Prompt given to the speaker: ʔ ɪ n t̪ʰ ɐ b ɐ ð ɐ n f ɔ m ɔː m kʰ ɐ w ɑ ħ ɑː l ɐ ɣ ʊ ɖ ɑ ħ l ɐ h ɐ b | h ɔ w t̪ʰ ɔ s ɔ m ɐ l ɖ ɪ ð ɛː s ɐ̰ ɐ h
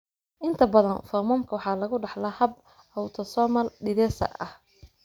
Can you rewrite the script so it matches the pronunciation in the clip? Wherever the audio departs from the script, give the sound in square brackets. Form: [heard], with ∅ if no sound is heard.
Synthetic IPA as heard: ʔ ɪ n t̪ʰ ɐ b ɐ ð ɐ n f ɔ m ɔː m kʰ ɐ w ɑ ħ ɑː l ɐ ɣ ʊ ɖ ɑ ħ l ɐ h ɐ b | h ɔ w t̪ʰ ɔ s ɔ m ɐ l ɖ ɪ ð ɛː s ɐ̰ ɐ h

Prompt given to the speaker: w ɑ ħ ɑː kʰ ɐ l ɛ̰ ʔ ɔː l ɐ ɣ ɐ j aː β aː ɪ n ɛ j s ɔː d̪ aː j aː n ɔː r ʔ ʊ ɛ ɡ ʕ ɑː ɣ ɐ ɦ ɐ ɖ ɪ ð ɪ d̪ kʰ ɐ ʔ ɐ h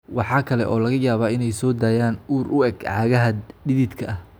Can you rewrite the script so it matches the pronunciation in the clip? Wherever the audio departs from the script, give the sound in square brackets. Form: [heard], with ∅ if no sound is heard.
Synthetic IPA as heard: w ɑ ħ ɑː kʰ ɐ l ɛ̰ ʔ ɔː l ɐ ɣ ɐ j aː β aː ɪ n ɛ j s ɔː d̪ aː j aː n [uː] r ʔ ʊ ɛ ɡ ʕ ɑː ɣ ɐ ɦ ɐ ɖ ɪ ð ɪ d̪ kʰ ɐ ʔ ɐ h

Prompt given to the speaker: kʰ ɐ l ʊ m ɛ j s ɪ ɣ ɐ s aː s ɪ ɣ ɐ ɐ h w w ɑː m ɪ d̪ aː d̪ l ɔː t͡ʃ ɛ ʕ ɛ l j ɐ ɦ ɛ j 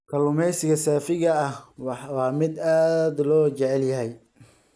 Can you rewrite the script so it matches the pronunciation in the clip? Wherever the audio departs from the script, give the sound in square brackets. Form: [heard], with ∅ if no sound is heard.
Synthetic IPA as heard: kʰ ɐ l ʊ m ɛ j s ɪ ɣ ɐ s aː [f] ɪ ɣ ɐ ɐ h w w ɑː m ɪ d̪ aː d̪ l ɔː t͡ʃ ɛ ʕ ɛ l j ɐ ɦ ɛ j

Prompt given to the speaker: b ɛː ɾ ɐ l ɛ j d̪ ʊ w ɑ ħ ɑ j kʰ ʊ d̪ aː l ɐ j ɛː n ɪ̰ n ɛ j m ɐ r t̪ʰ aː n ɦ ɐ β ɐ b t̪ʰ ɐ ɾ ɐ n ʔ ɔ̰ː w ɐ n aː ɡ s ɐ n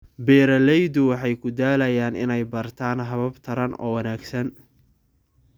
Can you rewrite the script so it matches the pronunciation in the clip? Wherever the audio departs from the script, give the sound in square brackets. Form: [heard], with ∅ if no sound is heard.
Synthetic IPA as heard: b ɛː ɾ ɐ l ɛ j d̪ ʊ w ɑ ħ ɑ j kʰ ʊ d̪ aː l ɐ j [aː] n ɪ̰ n ɛ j [b] ɐ r t̪ʰ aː n ɦ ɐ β ɐ b t̪ʰ ɐ ɾ ɐ n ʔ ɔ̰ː w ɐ n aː ɡ s ɐ n

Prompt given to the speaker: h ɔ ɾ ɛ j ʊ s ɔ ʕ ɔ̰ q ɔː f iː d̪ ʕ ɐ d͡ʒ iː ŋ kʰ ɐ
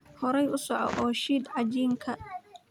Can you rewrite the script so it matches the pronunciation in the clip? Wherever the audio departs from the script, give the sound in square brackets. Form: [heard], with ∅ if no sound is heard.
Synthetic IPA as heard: h ɔ ɾ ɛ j ʊ s ɔ ʕ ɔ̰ [ʔ] ɔː [ʃ] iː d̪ ʕ [ɑ] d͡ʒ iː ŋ kʰ ɐ

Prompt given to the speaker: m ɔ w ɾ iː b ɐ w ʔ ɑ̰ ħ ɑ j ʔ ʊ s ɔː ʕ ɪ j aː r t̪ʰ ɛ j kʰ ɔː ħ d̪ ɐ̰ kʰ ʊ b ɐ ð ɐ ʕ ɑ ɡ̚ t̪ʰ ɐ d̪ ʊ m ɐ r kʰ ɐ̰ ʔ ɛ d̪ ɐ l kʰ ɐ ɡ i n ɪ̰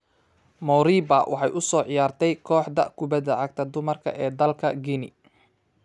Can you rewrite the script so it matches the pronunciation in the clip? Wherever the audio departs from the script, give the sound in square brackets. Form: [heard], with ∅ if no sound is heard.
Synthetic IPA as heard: m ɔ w ɾ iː b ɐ w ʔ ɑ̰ ħ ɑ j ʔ ʊ s ɔː ʕ ɪ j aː r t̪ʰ ɛ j kʰ ɔː ħ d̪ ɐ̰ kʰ ʊ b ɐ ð ɐ ʕ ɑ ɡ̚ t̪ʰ ɐ d̪ ʊ m ɐ r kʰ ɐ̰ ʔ [ɛː] d̪ ɐ l kʰ ɐ ɡ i n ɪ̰

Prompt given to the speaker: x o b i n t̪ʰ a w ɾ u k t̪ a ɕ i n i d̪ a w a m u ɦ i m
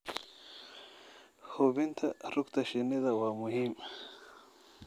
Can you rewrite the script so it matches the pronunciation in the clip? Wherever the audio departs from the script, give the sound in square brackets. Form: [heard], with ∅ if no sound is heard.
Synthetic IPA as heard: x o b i n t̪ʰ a [∅] ɾ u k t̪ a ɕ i n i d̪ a w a m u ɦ i m

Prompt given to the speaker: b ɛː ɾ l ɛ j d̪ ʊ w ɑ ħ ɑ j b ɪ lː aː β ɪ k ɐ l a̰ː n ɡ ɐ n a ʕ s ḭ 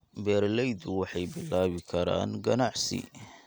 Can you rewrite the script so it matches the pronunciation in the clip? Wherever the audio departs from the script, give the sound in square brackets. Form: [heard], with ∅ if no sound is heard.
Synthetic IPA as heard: b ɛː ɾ l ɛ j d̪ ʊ w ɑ ħ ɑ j b ɪ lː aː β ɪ [kʰ] ɐ [ɾ] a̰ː n ɡ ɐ n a ʕ s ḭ

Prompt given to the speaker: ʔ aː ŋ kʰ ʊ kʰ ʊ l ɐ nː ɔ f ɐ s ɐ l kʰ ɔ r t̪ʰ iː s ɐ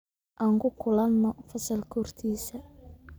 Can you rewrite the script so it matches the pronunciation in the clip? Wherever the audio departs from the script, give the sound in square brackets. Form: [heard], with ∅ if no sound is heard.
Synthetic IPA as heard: ʔ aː ŋ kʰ ʊ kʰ ʊ l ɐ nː ɔ f ɐ s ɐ l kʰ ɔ r t̪ʰ iː s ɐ

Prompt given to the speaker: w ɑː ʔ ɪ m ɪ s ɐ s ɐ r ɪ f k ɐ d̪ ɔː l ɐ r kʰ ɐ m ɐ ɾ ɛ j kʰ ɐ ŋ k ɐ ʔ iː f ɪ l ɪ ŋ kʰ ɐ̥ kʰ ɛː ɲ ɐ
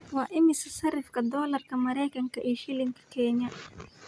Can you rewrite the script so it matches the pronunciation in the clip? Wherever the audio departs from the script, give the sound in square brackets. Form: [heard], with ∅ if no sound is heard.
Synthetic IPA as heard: w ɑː ʔ ɪ m ɪ s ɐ s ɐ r ɪ f k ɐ d̪ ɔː l ɐ r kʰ ɐ m ɐ ɾ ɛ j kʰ ɐ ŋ k ɐ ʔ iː [ʃ] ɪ l ɪ ŋ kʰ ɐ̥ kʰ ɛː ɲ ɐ

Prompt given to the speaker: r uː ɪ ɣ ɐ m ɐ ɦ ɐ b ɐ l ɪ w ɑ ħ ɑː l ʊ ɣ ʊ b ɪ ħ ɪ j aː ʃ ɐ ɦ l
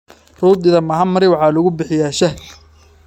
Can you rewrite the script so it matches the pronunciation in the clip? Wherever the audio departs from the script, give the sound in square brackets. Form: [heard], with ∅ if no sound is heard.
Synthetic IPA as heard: r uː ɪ [ð] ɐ m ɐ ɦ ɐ [m] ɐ [ɾ] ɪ w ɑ ħ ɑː l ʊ ɣ ʊ b ɪ ħ ɪ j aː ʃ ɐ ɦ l

